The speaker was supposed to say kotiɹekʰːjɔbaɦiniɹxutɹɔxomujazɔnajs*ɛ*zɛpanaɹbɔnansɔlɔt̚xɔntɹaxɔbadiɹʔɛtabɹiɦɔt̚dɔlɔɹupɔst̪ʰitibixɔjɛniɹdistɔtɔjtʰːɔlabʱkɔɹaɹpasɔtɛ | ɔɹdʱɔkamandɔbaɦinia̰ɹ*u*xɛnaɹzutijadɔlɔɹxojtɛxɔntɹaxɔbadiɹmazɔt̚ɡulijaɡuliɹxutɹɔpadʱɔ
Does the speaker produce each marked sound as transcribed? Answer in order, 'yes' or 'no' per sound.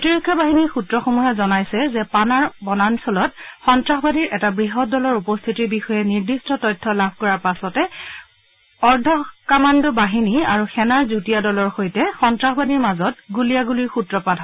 yes, yes

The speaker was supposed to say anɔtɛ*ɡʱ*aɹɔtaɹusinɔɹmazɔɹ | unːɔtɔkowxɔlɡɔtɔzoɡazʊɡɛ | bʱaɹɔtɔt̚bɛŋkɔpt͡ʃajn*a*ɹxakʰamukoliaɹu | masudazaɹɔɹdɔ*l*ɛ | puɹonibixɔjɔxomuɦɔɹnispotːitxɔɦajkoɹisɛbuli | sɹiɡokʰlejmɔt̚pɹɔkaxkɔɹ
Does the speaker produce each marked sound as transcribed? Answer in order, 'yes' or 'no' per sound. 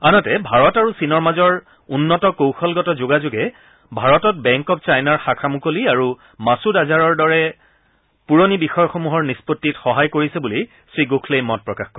no, yes, no

